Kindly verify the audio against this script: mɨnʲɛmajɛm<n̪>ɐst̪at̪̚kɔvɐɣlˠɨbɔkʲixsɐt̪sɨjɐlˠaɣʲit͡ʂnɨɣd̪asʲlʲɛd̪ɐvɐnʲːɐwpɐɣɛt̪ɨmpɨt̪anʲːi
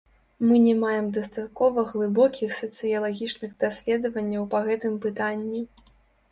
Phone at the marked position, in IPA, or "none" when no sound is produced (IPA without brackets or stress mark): d̪